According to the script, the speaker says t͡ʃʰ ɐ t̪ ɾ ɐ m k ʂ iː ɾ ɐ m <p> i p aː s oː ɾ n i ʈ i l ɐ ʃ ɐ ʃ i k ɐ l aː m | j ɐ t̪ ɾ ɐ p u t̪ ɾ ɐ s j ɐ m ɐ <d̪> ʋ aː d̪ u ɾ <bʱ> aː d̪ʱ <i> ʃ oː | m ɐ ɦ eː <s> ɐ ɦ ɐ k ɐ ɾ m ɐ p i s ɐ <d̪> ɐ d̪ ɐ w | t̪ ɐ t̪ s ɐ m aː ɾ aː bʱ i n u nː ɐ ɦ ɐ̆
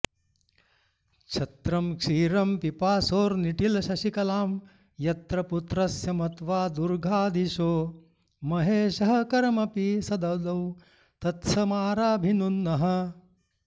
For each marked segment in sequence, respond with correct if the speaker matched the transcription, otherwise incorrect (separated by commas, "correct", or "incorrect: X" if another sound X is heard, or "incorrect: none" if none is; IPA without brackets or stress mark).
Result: correct, incorrect: t̪, incorrect: ɡʱ, correct, incorrect: ʃ, correct